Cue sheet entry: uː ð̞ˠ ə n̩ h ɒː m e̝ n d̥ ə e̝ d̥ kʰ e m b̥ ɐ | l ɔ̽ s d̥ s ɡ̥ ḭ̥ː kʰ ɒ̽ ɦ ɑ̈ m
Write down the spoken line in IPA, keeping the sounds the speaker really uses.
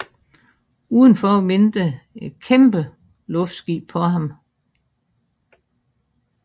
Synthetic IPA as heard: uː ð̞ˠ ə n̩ f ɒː m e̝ n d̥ ə e̝ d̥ kʰ e m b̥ ə | l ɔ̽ f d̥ s ɡ̥ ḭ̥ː pʰ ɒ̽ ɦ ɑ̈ m

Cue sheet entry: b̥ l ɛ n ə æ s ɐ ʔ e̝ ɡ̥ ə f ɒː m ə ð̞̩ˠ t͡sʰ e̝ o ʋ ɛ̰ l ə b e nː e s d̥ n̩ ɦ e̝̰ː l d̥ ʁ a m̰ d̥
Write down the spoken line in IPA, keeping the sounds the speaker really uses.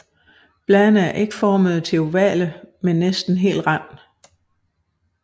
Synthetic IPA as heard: b̥ l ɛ n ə æ ɐ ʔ e̝ ɡ̥ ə f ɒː m ə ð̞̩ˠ t͡sʰ e̝ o ʋ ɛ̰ l ə m e nː e s d̥ n̩ ɦ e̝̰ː l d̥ ʁ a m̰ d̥

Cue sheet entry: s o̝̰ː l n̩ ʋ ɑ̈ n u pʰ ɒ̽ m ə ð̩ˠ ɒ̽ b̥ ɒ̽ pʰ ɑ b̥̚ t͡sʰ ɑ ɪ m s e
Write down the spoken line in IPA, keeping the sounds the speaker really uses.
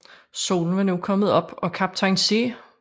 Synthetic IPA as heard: s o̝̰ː l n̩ ʋ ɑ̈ n u kʰ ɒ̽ m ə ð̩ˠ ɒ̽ b̥ ɒ̽ kʰ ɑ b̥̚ t͡sʰ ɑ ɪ n s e

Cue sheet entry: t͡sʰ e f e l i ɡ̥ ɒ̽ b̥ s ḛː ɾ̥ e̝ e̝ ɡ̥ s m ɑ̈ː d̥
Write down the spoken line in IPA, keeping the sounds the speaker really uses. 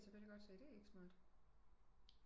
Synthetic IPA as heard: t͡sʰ e f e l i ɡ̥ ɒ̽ d̥ s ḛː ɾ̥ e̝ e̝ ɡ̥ s m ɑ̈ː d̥

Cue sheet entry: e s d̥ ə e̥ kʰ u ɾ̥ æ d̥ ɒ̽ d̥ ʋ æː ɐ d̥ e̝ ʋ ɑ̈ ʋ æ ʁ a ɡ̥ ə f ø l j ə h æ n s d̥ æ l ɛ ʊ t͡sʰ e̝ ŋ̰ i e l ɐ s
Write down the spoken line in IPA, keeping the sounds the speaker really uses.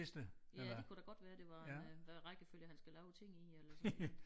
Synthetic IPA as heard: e s d̥ ə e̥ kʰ u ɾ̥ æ ɡ̥ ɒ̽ d̥ ʋ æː ɐ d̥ e̝ ʋ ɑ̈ ʋ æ ʁ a ɡ̥ ə f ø l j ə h æ n s ɡ̥ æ l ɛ ʊ t͡sʰ e̝ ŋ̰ i e l ɐ s

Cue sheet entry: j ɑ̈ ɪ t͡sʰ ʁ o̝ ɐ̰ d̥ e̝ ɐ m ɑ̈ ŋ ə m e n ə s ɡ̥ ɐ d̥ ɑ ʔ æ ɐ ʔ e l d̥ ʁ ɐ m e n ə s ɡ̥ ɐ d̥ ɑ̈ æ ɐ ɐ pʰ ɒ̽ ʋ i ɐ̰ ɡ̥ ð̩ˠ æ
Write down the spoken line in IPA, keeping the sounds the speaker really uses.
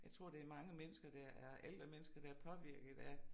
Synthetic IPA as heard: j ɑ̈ ɪ t͡sʰ ʁ o̝ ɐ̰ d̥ e̝ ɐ m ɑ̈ ŋ ə m e n ə s ɡ̥ ɐ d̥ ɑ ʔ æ ɐ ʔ e l d̥ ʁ ɐ m e n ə s ɡ̥ ɐ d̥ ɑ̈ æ ɐ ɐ pʰ ɒ̽ ʋ i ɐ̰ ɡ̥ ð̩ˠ æ

